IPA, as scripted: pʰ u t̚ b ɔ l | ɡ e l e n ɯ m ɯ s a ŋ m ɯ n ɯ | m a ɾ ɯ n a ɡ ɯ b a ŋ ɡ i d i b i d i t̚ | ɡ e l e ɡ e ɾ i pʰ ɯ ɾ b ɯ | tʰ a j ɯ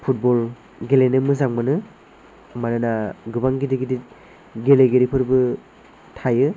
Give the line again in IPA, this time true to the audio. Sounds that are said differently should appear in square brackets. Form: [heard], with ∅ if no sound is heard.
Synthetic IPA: pʰ u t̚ b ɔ l | ɡ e l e n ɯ m ɯ [z] a ŋ m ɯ n ɯ | m a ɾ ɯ n a ɡ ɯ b a ŋ ɡ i d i [ɡ] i d i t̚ | ɡ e l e ɡ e ɾ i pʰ ɯ ɾ b ɯ | tʰ a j ɯ